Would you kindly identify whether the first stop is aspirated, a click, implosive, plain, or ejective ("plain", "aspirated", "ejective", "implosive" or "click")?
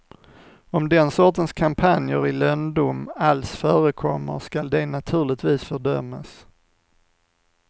plain